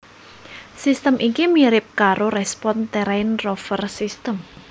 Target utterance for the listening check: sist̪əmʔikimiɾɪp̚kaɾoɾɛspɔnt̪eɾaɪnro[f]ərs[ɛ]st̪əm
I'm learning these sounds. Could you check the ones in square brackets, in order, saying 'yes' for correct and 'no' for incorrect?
yes, no

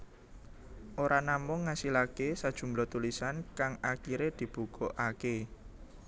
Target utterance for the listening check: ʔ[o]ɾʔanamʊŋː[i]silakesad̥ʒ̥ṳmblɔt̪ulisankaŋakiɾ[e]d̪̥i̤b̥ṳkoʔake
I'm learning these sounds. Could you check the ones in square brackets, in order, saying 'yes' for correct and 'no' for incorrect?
yes, no, yes

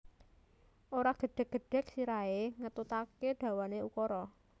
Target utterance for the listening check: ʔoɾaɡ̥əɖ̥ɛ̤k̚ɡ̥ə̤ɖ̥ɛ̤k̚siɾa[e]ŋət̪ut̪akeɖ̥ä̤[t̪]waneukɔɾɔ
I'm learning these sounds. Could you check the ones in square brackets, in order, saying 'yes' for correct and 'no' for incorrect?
yes, no

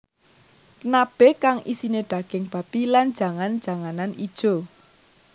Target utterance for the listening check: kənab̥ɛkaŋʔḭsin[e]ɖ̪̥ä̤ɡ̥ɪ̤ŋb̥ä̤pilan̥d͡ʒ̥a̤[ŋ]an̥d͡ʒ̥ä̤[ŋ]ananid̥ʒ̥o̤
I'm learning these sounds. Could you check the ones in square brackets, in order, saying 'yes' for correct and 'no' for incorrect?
yes, yes, yes

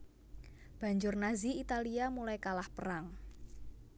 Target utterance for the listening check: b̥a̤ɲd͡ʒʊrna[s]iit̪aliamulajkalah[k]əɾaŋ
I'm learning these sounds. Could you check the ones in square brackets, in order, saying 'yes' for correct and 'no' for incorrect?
no, no

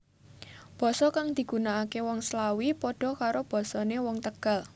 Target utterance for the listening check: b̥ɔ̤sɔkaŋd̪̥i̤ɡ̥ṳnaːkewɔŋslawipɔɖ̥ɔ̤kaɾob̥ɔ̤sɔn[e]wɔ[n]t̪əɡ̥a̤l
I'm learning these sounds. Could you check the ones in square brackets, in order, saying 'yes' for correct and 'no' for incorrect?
yes, no

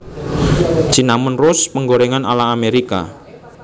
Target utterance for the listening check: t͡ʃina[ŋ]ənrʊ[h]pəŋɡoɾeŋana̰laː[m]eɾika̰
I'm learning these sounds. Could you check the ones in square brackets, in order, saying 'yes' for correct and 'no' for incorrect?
no, no, yes

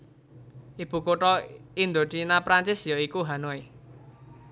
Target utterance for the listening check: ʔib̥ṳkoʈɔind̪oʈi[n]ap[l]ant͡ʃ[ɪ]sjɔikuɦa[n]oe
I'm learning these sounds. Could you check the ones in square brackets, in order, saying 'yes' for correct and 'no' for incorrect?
yes, no, yes, yes

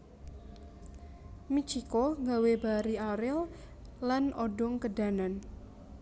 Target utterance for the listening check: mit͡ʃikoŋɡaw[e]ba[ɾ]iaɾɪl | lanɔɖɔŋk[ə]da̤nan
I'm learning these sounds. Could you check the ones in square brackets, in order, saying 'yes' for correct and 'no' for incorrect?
yes, yes, yes

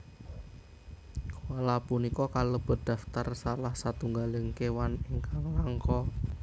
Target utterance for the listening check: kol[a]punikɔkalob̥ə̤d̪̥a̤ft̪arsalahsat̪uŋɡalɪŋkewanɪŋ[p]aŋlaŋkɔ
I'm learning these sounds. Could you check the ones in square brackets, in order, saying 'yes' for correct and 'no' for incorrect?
yes, no

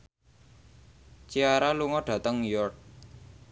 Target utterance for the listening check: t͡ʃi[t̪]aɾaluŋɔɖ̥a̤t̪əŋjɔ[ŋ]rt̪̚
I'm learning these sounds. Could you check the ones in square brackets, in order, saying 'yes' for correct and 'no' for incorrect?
no, no

